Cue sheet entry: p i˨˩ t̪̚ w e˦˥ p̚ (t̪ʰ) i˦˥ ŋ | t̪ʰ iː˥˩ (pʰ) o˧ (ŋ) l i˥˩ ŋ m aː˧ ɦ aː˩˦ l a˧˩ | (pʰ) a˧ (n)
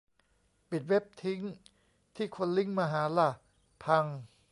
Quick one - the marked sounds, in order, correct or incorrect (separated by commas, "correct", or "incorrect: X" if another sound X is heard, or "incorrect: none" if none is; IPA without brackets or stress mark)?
correct, incorrect: kʰ, incorrect: n, correct, incorrect: ŋ